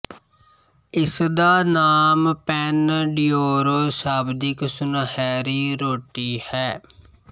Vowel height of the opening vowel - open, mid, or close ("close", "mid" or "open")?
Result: close